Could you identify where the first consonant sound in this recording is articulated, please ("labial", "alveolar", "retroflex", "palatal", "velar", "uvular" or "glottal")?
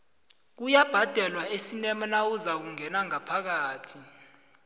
velar